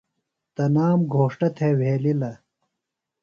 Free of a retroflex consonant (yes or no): no